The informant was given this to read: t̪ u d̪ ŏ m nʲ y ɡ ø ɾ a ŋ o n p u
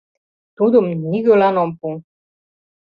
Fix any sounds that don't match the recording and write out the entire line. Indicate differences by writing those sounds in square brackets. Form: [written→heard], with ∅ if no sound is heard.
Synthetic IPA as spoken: t̪ u d̪ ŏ m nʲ [y→i] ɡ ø [ɾ→l] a [ŋ→n] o [n→m] p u